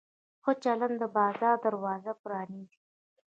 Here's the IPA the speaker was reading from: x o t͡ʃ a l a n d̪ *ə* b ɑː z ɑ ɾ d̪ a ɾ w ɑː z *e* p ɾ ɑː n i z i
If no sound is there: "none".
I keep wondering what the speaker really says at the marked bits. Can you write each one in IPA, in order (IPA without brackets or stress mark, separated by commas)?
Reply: ə, a